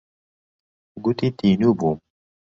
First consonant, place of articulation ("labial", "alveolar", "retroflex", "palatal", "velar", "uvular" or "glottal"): velar